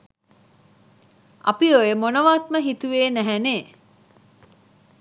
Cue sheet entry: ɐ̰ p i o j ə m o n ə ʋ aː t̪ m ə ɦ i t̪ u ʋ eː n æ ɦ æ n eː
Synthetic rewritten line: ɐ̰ p i o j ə m o n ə ʋ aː t̪ m ə ɦ i t̪ u ʋ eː n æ ɦ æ n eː